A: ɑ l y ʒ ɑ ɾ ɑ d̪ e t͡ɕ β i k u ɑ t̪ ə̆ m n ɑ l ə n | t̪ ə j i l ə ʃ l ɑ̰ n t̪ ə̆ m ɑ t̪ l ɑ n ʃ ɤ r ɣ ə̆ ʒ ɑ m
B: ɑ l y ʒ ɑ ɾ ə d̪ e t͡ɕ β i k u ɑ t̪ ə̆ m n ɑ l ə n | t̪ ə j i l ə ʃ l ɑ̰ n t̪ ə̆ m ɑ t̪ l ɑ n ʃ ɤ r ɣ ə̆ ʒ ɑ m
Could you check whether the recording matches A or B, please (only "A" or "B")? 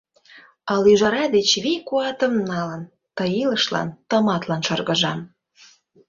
A